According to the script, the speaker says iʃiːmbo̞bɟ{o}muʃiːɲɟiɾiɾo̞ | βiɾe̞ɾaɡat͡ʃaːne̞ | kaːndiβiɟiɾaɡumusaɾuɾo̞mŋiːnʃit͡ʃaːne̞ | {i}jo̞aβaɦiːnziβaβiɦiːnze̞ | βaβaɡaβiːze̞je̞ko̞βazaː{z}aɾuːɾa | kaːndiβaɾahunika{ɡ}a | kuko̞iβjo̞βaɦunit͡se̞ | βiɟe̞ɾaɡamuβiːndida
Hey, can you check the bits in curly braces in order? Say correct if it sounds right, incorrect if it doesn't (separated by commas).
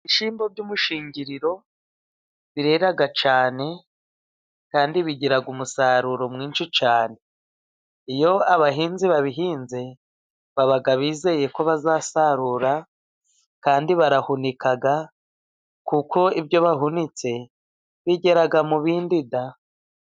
incorrect, correct, incorrect, correct